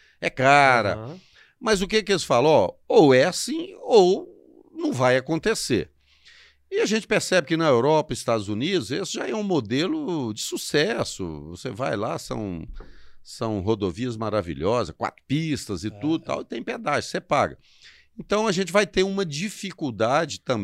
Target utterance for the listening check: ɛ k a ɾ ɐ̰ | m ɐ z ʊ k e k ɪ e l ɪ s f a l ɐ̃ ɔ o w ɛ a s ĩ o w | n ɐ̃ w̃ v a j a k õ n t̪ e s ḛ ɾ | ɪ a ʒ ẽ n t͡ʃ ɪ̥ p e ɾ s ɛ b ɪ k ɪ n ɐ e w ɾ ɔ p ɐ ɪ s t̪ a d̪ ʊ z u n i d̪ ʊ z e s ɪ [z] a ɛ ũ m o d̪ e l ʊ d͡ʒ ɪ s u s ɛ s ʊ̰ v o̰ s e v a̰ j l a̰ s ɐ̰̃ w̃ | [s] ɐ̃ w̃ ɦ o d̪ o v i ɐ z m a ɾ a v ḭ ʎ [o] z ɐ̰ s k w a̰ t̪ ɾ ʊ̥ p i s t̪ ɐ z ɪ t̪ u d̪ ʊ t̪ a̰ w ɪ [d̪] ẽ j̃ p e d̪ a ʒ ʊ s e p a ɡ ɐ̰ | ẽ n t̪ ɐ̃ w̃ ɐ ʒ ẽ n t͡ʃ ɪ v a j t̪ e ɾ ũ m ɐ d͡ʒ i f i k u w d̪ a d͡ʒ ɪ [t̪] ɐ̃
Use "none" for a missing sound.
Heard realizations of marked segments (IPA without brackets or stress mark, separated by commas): ʒ, s, ɔ, t̪, t̪